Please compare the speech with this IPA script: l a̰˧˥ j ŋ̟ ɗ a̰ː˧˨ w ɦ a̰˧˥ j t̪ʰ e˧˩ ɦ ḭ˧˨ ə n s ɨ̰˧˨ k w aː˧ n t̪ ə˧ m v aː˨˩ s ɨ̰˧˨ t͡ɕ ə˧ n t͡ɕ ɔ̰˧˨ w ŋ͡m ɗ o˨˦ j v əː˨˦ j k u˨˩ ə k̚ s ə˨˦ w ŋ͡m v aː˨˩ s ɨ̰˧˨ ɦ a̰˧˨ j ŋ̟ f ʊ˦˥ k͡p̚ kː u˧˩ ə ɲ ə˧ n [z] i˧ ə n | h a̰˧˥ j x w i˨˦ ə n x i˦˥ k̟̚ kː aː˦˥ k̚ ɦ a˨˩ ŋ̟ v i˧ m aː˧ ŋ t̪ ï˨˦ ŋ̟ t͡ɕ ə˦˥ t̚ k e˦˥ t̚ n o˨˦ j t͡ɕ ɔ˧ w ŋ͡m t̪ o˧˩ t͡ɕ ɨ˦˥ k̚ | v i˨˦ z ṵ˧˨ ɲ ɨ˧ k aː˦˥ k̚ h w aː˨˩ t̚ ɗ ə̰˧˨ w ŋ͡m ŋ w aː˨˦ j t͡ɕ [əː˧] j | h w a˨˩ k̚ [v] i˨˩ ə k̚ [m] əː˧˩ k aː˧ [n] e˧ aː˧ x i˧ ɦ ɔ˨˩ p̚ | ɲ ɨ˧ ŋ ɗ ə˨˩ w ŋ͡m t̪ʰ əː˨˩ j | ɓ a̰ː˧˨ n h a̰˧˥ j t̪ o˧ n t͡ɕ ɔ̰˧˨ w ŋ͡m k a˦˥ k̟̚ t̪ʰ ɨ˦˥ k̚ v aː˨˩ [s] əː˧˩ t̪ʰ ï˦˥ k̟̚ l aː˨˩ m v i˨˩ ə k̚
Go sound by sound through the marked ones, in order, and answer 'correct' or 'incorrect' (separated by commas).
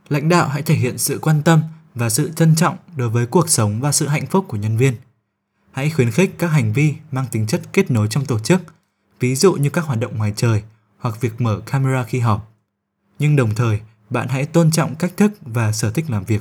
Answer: incorrect, incorrect, correct, correct, incorrect, correct